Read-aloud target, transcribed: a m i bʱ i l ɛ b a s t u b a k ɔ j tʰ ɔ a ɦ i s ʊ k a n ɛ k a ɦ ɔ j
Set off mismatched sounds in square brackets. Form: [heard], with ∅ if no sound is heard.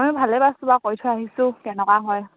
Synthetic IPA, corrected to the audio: a m i bʱ [a] l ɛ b a s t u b a k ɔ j tʰ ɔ a ɦ i s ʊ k [ɛ] n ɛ k a ɦ ɔ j